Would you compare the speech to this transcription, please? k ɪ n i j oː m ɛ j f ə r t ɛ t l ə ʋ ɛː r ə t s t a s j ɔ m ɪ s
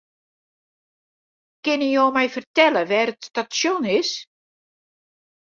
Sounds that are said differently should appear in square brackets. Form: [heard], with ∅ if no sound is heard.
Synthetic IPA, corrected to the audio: k ɪ n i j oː m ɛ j f ə r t ɛ [∅] l ə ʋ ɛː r ə t s t a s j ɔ [n] ɪ s